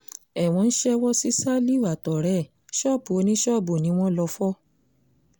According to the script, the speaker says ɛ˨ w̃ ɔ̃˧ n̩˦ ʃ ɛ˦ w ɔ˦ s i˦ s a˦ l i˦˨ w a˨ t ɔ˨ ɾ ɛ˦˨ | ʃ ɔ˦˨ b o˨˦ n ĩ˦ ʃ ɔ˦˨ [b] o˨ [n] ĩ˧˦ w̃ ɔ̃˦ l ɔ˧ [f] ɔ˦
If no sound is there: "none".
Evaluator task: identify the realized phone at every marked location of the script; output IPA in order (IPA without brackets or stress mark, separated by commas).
b, n, f